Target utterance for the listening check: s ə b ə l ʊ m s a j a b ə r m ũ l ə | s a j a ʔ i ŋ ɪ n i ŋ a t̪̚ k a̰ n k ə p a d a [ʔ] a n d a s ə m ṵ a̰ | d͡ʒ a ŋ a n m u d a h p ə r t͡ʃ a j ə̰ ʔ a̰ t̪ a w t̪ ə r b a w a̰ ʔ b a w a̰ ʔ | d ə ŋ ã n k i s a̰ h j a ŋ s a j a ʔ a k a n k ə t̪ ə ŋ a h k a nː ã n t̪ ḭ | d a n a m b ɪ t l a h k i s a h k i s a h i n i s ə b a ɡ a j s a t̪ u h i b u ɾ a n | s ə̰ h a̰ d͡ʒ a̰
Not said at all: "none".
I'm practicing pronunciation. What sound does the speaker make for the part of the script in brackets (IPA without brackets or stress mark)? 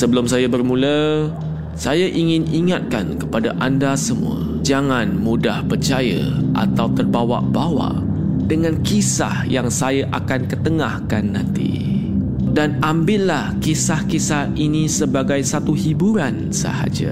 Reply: ʔ